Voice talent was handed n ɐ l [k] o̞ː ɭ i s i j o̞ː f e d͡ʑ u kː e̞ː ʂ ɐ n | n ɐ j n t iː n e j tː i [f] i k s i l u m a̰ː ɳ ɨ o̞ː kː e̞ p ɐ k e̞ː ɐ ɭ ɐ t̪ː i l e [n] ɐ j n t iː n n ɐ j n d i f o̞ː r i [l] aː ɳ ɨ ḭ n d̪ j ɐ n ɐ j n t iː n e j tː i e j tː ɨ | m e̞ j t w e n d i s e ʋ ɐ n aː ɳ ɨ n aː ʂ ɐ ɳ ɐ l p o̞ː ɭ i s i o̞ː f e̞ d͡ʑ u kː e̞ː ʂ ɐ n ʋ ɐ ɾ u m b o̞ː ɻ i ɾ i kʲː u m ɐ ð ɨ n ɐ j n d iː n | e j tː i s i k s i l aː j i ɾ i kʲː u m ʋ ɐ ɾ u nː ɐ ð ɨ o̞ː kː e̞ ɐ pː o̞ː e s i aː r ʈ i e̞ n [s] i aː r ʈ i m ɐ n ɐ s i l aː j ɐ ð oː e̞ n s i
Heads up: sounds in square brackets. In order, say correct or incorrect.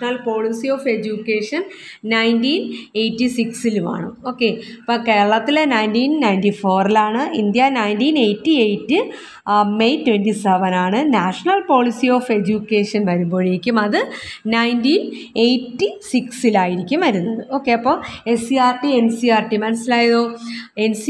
incorrect: p, incorrect: s, correct, correct, correct

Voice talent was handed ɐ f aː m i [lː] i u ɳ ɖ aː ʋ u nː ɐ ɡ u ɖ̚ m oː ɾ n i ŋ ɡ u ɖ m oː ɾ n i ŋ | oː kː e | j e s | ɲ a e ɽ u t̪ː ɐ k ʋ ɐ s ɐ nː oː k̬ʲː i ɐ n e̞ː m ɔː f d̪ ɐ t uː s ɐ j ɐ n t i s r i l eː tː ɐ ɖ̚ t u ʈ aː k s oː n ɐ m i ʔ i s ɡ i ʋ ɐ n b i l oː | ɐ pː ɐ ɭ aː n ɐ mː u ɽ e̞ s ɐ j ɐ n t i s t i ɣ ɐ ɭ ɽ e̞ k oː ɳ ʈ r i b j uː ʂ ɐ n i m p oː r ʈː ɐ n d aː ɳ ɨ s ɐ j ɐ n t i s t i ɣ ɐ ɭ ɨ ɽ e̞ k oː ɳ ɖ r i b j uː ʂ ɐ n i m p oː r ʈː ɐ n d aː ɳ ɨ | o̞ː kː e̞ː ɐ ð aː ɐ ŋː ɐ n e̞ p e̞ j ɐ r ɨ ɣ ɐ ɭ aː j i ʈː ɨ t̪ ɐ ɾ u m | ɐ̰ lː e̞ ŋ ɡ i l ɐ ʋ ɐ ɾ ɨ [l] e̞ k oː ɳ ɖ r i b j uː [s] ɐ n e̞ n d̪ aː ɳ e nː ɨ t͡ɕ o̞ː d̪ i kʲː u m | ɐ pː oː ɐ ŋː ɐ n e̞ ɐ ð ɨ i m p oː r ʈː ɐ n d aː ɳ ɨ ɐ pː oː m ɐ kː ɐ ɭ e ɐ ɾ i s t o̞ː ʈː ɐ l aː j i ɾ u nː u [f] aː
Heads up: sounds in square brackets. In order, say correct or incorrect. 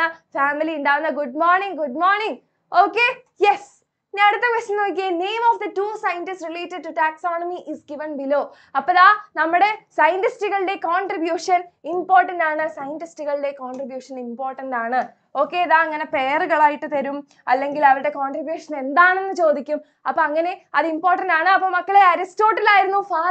incorrect: l, incorrect: ɽ, incorrect: ʂ, correct

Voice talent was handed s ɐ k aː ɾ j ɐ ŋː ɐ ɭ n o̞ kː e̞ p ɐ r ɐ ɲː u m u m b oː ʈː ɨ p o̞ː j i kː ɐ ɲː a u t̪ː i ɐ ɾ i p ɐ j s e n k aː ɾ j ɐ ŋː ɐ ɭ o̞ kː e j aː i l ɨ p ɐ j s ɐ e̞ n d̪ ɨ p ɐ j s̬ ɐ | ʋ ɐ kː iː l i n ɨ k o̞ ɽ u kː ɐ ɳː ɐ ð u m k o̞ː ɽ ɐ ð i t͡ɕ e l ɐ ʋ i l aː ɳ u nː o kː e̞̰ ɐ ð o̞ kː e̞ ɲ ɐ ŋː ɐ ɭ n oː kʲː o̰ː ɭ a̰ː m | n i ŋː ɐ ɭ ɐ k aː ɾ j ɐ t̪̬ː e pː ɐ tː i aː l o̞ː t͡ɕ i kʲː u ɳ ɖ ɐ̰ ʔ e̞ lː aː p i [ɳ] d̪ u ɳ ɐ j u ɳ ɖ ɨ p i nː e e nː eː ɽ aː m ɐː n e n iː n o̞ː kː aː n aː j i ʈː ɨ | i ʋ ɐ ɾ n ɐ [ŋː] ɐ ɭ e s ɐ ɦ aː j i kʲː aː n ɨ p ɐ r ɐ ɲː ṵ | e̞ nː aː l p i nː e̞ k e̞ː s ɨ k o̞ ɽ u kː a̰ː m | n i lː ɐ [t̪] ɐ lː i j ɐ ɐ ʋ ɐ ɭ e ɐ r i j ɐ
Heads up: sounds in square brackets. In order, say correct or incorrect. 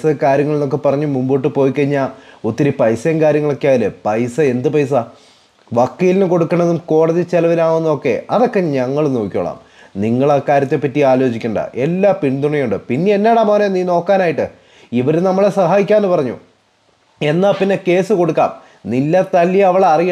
correct, incorrect: mː, correct

